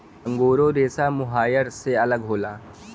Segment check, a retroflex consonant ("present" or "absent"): absent